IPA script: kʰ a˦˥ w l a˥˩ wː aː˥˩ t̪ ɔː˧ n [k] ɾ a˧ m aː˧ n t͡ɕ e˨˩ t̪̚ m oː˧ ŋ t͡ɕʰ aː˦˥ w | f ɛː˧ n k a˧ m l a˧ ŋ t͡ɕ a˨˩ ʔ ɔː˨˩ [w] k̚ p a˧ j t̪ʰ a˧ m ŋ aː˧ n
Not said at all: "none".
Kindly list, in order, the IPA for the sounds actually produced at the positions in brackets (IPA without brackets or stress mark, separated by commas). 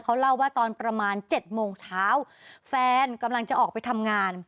p, none